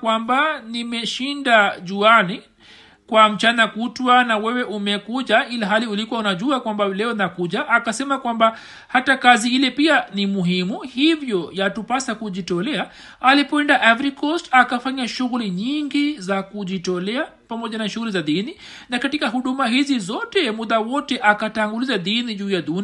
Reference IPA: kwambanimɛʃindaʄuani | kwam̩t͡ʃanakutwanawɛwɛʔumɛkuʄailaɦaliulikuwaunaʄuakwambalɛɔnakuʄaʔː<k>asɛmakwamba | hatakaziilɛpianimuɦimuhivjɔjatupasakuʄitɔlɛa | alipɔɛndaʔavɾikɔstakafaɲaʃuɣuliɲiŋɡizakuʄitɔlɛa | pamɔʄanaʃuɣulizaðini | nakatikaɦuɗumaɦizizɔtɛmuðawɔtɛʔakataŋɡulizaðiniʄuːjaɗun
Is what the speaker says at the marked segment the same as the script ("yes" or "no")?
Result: yes